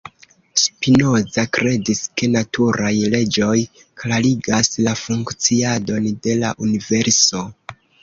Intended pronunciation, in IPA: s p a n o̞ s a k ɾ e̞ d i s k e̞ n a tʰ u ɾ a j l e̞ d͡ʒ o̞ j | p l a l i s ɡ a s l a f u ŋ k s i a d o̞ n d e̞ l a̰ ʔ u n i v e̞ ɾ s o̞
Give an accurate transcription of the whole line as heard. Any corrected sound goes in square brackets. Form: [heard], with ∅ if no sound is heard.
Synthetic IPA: s p [i] n o̞ [z] a k ɾ e̞ d i s k e̞ n a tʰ u ɾ a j l e̞ d͡ʒ o̞ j | [k] l a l i [∅] ɡ a s l a f u ŋ k [t͡s] i a d o̞ n d e̞ l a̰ ʔ u n i v e̞ ɾ s o̞

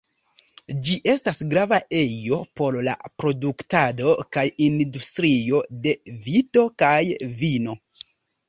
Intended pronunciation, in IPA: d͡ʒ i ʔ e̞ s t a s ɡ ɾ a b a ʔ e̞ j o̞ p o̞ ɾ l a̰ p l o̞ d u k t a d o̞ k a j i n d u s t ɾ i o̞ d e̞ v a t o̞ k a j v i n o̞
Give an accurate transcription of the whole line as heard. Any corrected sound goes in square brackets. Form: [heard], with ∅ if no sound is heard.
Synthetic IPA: d͡ʒ i ʔ e̞ s t a s ɡ ɾ a [v] a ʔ e̞ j o̞ p o̞ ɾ l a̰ p [ɾ] o̞ d u k t a d o̞ k a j i n d u s t ɾ i o̞ d e̞ v [i] t o̞ k a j v i n o̞

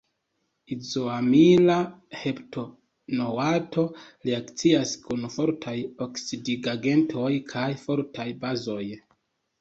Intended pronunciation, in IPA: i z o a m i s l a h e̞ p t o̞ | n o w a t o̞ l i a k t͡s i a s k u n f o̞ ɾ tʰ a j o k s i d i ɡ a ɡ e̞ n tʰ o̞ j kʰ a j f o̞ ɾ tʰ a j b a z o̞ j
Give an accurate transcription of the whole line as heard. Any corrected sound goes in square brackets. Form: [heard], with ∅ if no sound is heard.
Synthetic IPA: i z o a m i [∅] l a h e̞ p t o̞ | n o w a t o̞ l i a k t͡s i a s k u n f o̞ ɾ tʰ a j o k s i d i ɡ a ɡ e̞ n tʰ o̞ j kʰ a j f o̞ ɾ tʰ a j b a z o̞ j

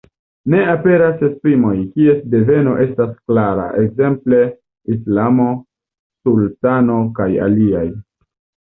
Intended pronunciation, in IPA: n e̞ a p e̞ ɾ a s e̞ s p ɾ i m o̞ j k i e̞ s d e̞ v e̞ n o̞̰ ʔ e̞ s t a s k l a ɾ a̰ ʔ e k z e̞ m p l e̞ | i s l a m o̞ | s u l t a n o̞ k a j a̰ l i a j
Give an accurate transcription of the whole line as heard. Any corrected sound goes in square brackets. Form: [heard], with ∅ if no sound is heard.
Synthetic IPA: n e̞ a p e̞ ɾ a s e̞ s p ɾ i m o̞ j k i e̞ s d e̞ v e̞ n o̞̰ ʔ e̞ s t a s k l a ɾ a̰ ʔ e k z e̞ m p l e̞ | i s l a m o̞ | s u l t a n o̞ k a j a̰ l i a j

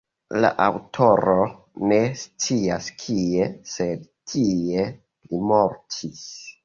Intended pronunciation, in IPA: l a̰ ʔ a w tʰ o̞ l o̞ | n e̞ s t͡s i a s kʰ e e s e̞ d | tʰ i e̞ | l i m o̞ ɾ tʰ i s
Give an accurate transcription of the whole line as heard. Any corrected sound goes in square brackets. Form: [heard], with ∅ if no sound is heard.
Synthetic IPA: l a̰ ʔ a w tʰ o̞ [ɾ] o̞ | n e̞ s t͡s i a s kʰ [i] e s e̞ d | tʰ i e̞ | l i m o̞ ɾ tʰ i s

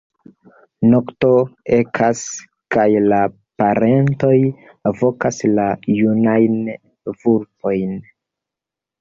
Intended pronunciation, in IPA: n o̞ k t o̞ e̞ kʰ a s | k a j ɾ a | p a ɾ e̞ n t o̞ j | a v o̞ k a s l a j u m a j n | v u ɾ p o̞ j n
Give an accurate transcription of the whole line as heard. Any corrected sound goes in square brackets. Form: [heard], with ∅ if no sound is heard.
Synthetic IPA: n o̞ k t o̞ e̞ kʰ a s | k a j [l] a | p a ɾ e̞ n t o̞ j | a v o̞ k a s l a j u [n] a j n | v u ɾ p o̞ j n

